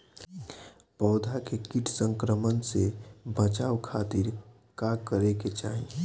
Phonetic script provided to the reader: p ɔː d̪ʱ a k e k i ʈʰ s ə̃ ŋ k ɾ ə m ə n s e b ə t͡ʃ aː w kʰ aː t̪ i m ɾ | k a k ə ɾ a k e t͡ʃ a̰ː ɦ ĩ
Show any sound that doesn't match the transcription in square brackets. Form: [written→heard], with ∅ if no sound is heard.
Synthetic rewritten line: p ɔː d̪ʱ a k e k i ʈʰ s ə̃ ŋ k ɾ ə m ə n s e b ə t͡ʃ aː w kʰ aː t̪ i [m→∅] ɾ | k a k ə ɾ [a→e] k e t͡ʃ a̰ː ɦ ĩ